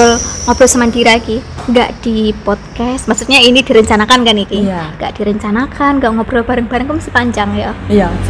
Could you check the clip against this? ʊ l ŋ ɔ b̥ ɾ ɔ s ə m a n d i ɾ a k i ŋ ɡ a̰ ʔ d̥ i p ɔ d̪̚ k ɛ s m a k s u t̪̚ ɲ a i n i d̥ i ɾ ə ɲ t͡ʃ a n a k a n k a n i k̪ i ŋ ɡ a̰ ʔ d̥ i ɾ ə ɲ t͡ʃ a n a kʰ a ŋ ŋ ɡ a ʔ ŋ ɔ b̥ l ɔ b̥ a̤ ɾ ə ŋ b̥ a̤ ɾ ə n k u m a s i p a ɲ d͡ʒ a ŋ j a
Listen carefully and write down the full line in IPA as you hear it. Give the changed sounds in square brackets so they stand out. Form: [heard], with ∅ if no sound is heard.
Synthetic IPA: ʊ l ŋ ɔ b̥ ɾ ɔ s ə m a n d i ɾ a k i ŋ ɡ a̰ ʔ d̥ i p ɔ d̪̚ k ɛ s m a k s u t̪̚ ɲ a i n i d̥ i ɾ ə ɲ t͡ʃ a n a k a n k a n i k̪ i ŋ ɡ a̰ ʔ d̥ i ɾ ə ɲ t͡ʃ a n a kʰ a [n] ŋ ɡ a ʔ ŋ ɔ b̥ [ɾ] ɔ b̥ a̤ ɾ ə ŋ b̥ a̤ ɾ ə [ŋ] k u m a s i p a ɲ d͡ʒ a ŋ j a